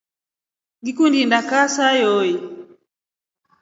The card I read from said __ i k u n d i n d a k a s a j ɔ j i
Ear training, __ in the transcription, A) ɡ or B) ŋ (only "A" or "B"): A